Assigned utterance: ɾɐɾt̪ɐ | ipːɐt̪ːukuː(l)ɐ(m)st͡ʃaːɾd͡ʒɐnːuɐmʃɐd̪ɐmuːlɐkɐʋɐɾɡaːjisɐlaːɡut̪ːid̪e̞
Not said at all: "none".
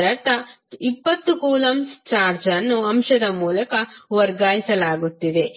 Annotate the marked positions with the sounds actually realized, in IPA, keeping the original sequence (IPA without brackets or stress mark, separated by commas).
l, m